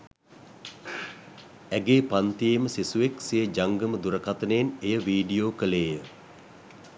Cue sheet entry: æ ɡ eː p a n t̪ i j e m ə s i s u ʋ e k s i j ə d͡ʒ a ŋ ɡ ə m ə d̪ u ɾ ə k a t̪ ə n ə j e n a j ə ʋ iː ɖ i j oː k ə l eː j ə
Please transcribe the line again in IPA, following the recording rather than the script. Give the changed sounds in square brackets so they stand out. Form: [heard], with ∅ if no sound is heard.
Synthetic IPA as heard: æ ɡ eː p a n t̪ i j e m ə s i s u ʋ e k s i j ə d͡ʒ a ŋ ɡ ə m ə d̪ u ɾ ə k a t̪ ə n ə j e n [e] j ə ʋ iː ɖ i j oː k ə l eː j ə